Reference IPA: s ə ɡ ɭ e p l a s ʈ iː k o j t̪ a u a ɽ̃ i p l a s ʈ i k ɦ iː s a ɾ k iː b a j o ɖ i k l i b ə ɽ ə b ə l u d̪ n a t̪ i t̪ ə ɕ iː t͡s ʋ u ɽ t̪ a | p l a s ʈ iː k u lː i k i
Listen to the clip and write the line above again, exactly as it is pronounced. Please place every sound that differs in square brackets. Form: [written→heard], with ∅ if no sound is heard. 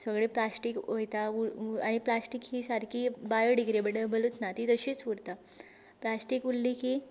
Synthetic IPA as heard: s ə ɡ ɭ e p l a s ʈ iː k o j t̪ a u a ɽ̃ i p l a s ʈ i k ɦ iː s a ɾ k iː b a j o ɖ i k [l→ɾ] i b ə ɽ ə b ə l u [d̪→t̪] n a t̪ i t̪ ə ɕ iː t͡s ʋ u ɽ t̪ a | p l a s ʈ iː k u lː i k i